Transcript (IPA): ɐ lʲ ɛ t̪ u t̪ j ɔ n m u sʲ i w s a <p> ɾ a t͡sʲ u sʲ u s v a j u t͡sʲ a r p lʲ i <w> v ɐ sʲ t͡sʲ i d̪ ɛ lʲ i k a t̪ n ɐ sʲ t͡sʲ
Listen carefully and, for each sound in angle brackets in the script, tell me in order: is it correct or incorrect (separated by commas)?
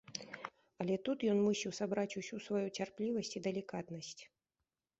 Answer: incorrect, incorrect